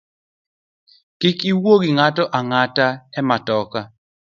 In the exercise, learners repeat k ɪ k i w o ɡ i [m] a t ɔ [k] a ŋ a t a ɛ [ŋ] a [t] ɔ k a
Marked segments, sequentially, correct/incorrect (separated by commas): incorrect, incorrect, incorrect, correct